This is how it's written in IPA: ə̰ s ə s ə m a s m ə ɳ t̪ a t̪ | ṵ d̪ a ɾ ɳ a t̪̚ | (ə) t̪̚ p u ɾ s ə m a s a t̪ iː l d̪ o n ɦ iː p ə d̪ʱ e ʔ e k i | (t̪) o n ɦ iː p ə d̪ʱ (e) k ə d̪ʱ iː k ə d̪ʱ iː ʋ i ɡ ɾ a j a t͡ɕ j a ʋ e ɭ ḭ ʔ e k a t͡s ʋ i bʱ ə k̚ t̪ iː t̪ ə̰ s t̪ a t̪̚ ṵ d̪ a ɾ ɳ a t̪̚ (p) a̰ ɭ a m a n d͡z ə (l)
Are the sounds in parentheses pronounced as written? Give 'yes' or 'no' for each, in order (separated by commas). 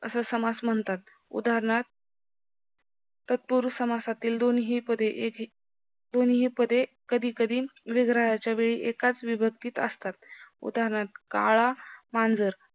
yes, no, yes, no, no